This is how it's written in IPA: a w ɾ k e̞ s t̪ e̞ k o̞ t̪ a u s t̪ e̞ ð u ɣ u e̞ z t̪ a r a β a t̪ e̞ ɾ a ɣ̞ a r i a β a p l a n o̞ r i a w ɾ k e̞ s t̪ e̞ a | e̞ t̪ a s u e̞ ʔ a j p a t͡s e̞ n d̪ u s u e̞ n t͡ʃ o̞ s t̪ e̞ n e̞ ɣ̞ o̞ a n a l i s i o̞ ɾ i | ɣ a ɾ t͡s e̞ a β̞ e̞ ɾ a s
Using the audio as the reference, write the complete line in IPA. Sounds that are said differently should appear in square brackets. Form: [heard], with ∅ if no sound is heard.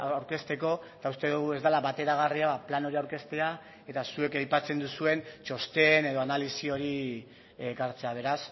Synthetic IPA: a w ɾ k e̞ s t̪ e̞ k o̞ t̪ a u s t̪ e̞ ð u ɣ u e̞ z [d̪] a [l] a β a t̪ e̞ ɾ a ɣ̞ a r i a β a p l a n o̞ [ɾ] i a w ɾ k e̞ s t̪ e̞ a | e̞ t̪ a s u e̞ [k] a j p a t͡s e̞ n d̪ u s u e̞ n t͡ʃ o̞ s t̪ e̞ n e̞ [ð̞] o̞ a n a l i s i o̞ ɾ i | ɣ a ɾ t͡s e̞ a β̞ e̞ ɾ a s

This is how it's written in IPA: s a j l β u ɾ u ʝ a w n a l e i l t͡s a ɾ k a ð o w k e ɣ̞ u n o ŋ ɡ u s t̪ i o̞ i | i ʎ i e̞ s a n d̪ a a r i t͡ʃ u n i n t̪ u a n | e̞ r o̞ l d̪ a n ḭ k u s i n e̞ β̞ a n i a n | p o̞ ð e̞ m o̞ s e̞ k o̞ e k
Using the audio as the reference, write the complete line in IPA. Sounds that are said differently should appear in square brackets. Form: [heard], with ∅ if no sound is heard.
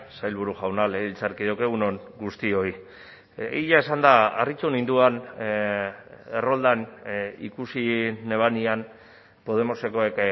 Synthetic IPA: s a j l β u ɾ u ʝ a w n a l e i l t͡s a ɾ k [i] ð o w k e ɣ̞ u n o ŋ ɡ u s t̪ i o̞ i | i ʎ [a] e̞ s a n d̪ a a r i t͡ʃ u n i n [d̪] u a n | e̞ r o̞ l d̪ a n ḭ k u s i n e̞ β̞ a n i a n | p o̞ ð e̞ m o̞ s e̞ k o̞ e k

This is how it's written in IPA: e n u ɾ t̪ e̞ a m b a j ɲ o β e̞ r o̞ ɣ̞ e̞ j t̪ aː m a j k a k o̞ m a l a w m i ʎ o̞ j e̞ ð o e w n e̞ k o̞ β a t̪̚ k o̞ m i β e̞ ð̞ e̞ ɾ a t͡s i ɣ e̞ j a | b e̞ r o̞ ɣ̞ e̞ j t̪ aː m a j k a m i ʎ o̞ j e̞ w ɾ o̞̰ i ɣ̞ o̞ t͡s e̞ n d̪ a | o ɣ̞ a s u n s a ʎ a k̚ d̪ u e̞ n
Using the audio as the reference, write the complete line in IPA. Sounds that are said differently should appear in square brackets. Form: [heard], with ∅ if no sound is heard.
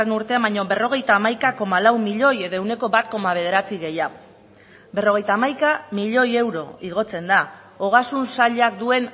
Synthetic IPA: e n u ɾ t̪ e̞ a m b a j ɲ o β e̞ r o̞ ɣ̞ e̞ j t̪ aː m a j k a k o̞ m a l a w m i ʎ o̞ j e̞ ð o e w n e̞ k o̞ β a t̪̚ k o̞ m [a] β e̞ ð̞ e̞ ɾ a t͡s i ɣ e̞ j a | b e̞ r o̞ ɣ̞ e̞ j t̪ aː m a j k a m i ʎ o̞ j e̞ w ɾ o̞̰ i ɣ̞ o̞ t͡s e̞ n d̪ a | o ɣ̞ a s u n s a ʎ a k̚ d̪ u e̞ n

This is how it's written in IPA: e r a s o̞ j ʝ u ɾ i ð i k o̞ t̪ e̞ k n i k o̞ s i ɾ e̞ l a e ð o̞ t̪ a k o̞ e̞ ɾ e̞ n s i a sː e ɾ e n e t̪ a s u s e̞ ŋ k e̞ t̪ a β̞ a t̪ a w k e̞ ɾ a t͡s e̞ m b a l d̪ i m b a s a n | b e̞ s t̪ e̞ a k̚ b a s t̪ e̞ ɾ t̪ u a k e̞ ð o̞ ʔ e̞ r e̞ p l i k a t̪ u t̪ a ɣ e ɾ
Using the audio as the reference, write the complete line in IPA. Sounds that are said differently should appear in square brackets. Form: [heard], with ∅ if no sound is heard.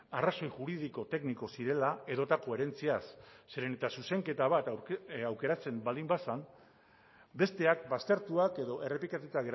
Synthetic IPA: [a] r a s o̞ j ʝ u ɾ i ð i k o̞ t̪ e̞ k n i k o̞ s i ɾ e̞ l a e ð o̞ t̪ a k o̞ e̞ ɾ e̞ n [t͡s] i a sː e ɾ e n e t̪ a s u s e̞ ŋ k e̞ t̪ a β̞ a t̪ a w k e̞ ɾ a t͡s e̞ m b a l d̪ i m b a s a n | b e̞ s t̪ e̞ a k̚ b a s t̪ e̞ ɾ t̪ u a k e̞ ð o̞ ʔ e̞ r e̞ p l i k a t̪ u t̪ a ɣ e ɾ

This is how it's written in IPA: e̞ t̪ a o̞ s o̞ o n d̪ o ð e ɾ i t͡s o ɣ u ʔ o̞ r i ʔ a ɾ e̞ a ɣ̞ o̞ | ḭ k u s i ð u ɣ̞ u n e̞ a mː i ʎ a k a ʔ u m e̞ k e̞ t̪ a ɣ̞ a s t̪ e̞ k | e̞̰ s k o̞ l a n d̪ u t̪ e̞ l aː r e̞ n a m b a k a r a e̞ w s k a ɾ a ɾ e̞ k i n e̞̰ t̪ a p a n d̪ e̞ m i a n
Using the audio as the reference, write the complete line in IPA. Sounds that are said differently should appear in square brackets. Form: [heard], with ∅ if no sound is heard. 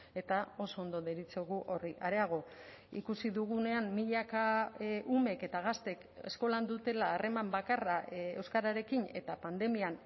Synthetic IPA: e̞ t̪ a o̞ s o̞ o n d̪ o ð e ɾ i t͡s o ɣ u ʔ o̞ r i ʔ a ɾ e̞ a ɣ̞ o̞ | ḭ k u s i ð u ɣ̞ u n e̞ a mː i ʎ a k a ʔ u m e̞ k e̞ t̪ a ɣ̞ a s t̪ e̞ k | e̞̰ s k o̞ l a n d̪ u t̪ e̞ l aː r e̞ [m] a m b a k a r a e̞ w s k a ɾ a ɾ e̞ k i n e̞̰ t̪ a p a n d̪ e̞ m i a n

